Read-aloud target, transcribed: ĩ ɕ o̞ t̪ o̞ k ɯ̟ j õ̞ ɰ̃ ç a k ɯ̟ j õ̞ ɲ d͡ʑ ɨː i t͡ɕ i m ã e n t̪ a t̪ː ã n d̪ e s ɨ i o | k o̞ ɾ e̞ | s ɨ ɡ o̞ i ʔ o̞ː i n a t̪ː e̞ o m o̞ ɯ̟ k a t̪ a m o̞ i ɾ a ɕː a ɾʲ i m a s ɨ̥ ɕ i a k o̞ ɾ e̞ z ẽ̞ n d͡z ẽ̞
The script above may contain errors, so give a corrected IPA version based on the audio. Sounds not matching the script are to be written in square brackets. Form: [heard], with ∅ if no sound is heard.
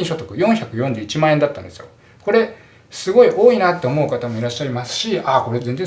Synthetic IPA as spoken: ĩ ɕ o̞ t̪ o̞ k ɯ̟ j õ̞ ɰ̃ ç a k ɯ̟ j õ̞ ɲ d͡ʑ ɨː i t͡ɕ i m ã e n [d̪] a t̪ː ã n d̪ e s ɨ [j] o | k o̞ ɾ e̞ | s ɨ ɡ o̞ i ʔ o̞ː i n a t̪ː e̞ o m o̞ ɯ̟ k a t̪ a m o̞ i ɾ a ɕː a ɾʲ i m a s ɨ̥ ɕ i a k o̞ ɾ e̞ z ẽ̞ n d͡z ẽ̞